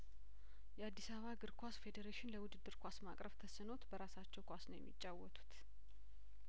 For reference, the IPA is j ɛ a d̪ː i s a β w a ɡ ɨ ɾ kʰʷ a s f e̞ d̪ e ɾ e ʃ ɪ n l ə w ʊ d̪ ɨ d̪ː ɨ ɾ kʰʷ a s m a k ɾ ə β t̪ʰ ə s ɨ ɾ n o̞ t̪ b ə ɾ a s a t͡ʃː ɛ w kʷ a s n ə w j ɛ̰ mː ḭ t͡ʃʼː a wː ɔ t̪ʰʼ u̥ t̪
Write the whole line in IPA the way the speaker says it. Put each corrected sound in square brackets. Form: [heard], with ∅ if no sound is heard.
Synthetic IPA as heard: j ɛ a d̪ː i s a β [β] a ɡ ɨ ɾ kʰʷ a s f e̞ d̪ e ɾ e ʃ ɪ n l ə w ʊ d̪ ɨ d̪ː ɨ ɾ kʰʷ a s m a [kʼ] ɾ ə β t̪ʰ ə s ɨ [∅] n o̞ t̪ b ə ɾ a s a t͡ʃː ɛ w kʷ a s n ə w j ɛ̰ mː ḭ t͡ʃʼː a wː ɔ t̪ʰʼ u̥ t̪